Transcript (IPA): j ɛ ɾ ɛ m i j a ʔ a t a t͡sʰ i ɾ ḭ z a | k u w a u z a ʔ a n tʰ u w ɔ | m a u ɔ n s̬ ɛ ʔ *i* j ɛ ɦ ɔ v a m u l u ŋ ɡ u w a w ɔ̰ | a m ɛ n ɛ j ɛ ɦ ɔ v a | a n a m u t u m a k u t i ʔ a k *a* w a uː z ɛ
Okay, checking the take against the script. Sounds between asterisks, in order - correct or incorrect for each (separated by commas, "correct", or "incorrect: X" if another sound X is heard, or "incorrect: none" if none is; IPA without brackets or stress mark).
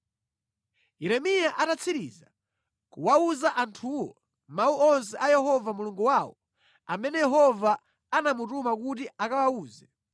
incorrect: a, correct